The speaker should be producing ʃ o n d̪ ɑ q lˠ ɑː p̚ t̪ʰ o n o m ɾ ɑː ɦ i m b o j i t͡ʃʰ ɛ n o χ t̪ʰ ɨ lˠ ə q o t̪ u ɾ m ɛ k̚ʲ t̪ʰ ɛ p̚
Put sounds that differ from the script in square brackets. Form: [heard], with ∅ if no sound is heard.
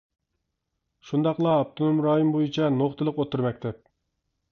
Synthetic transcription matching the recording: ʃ [u] n d̪ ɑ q lˠ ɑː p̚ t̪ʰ o n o m ɾ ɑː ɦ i m b o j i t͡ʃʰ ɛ n o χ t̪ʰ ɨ lˠ ə q o t̪ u ɾ m ɛ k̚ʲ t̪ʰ ɛ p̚